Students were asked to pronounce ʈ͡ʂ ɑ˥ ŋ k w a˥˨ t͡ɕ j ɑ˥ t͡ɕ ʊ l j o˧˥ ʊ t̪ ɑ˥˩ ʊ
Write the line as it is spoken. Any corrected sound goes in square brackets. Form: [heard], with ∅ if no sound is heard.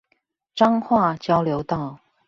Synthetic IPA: ʈ͡ʂ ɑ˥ ŋ [x] w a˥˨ t͡ɕ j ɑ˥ [∅] ʊ l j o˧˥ ʊ t̪ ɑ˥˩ ʊ